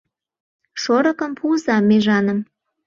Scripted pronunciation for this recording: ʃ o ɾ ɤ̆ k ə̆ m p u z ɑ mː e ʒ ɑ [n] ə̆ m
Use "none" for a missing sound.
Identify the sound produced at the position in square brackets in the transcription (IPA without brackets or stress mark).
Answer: n